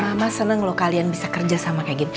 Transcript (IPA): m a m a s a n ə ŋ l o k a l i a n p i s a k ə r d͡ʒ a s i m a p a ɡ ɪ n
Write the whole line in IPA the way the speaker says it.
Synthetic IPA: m a m a s ə n ə ŋ l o k a l i a n b i s a k ə r d͡ʒ a s a m a k a ɡ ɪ n